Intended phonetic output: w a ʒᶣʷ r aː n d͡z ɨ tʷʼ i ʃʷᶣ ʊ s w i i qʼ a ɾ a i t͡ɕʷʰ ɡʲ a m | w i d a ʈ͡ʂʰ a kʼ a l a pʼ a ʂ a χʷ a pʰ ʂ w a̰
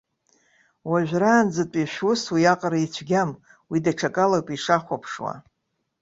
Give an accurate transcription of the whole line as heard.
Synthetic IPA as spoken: w a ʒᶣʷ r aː n d͡z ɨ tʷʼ i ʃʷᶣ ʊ s w i a qʼ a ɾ a i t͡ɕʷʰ ɡʲ a m | w i d a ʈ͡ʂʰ a kʼ a l a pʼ i ʂ a χʷ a pʰ ʂ w a̰